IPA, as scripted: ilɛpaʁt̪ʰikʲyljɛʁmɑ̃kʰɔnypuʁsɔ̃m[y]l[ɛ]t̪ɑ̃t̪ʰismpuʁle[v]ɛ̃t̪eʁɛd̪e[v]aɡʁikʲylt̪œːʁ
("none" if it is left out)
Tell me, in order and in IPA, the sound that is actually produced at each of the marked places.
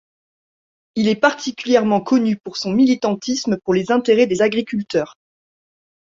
i, i, z, z

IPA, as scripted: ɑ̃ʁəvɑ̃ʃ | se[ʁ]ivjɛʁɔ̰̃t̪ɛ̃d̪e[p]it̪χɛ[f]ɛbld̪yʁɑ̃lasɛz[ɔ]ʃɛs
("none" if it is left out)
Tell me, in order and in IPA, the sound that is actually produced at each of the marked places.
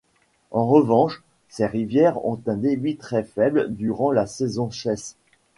ʁ, b, f, ɔ̃

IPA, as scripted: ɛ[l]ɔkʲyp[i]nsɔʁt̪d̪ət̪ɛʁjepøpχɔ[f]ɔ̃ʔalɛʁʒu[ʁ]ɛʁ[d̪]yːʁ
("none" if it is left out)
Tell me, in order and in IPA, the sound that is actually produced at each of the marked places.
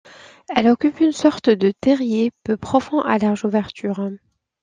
l, y, f, v, t̪

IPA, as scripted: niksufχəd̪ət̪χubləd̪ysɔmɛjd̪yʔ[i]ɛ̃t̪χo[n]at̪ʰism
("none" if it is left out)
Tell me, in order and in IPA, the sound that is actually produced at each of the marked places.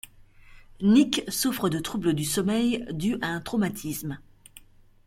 a, m

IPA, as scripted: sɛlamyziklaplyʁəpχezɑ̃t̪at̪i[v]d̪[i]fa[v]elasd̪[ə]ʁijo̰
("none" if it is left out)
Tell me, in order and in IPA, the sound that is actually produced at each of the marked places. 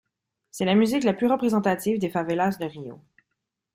v, e, v, ə

